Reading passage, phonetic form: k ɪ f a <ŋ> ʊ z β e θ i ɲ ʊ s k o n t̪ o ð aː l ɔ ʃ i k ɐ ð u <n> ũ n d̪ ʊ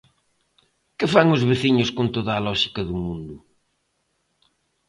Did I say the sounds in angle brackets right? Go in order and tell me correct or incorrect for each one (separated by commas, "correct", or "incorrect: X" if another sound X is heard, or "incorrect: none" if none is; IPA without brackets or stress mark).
correct, incorrect: m